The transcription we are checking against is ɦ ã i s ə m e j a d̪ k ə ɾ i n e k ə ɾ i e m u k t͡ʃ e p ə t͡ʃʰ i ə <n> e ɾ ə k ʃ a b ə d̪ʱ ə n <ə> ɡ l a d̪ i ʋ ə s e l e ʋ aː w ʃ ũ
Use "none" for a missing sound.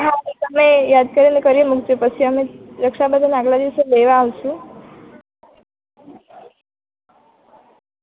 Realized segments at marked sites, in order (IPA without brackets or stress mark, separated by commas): m, a